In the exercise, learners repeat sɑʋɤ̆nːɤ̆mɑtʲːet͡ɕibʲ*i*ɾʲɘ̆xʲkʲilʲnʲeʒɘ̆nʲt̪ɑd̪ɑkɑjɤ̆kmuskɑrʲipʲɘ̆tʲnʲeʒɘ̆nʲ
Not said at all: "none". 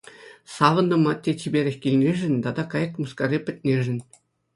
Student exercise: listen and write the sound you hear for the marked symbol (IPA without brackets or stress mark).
e